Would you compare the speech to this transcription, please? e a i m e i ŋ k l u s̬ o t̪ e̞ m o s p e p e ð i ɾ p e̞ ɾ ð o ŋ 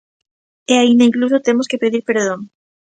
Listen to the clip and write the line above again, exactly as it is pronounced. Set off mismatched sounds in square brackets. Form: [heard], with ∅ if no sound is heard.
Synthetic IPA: e a i [n] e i ŋ k l u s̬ o t̪ e̞ m o s [k] e p e ð i ɾ p e̞ ɾ ð o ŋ